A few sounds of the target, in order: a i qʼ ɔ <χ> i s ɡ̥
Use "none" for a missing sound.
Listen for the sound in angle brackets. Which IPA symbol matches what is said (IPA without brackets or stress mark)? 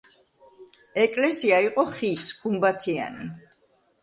χ